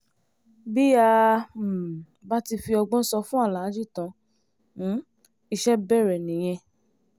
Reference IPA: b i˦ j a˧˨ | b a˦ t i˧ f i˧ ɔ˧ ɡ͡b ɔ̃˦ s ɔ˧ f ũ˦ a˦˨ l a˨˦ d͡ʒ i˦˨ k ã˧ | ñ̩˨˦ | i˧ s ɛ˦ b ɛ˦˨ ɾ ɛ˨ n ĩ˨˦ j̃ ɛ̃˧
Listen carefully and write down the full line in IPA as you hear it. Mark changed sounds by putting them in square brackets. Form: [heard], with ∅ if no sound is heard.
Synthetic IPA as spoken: b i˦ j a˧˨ | b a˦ t i˧ f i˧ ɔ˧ ɡ͡b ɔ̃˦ s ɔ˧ f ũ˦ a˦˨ l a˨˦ d͡ʒ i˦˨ [t] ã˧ | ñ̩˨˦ | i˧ [ʃ] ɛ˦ b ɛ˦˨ ɾ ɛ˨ n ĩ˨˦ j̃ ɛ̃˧